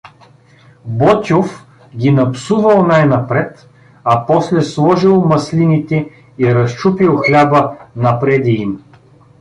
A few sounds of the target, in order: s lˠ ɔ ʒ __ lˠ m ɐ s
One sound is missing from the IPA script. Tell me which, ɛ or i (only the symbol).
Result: i